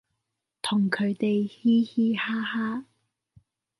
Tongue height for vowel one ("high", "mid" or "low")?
high